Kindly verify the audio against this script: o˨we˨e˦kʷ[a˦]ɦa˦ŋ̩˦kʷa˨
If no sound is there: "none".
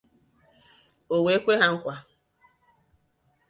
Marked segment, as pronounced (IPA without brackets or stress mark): e˦